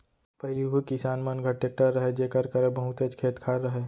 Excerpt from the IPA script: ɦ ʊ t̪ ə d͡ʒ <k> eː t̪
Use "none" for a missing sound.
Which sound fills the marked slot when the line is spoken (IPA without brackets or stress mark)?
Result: kʰ